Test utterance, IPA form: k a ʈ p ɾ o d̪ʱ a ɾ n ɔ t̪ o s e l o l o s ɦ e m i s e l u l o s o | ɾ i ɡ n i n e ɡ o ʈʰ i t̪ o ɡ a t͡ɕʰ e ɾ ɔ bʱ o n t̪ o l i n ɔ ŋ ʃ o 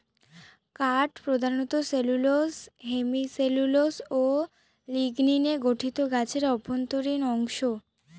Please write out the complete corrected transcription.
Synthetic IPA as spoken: k a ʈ p ɾ o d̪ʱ a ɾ n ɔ t̪ o s e l u l o s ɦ e m i s e l u l o s o | l i ɡ n i n e ɡ o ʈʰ i t̪ o ɡ a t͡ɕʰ e ɾ ɔ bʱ o n t̪ o ɾ i n ɔ ŋ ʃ o